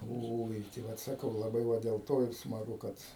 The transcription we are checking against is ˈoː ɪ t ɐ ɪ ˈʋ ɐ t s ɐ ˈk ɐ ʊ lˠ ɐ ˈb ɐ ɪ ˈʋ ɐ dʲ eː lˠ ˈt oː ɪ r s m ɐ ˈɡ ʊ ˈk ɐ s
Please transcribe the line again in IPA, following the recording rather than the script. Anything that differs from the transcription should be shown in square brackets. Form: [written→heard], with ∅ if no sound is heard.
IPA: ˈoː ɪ t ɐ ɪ ˈʋ ɐ t s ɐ ˈk ɐ ʊ lˠ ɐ ˈb ɐ ɪ ˈʋ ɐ dʲ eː lˠ ˈt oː ɪ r s m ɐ ˈɡ ʊ ˈk ɐ [s→t]